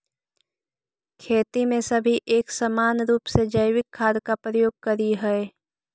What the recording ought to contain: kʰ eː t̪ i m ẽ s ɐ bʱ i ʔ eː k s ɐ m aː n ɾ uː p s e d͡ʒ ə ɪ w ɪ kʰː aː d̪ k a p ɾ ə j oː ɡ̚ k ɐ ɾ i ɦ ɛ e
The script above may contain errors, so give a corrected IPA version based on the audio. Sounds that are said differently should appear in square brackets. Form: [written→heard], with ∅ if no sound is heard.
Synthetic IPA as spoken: kʰ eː t̪ i m ẽ s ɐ bʱ i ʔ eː k s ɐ m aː n ɾ uː p s e d͡ʒ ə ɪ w ɪ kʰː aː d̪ k a p ɾ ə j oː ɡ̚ k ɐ ɾ i ɦ ɛ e